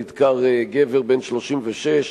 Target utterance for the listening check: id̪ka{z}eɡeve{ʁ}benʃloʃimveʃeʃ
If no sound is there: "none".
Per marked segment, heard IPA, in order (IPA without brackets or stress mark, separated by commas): ʁ, ʁ